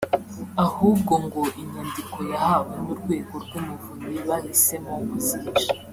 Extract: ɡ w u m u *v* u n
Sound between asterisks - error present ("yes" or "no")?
no